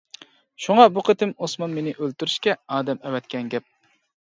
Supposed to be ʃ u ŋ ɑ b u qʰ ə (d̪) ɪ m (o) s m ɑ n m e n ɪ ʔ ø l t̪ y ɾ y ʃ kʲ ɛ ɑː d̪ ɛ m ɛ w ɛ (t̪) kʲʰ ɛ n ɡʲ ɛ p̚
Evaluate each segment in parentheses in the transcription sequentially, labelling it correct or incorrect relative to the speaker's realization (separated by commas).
incorrect, correct, correct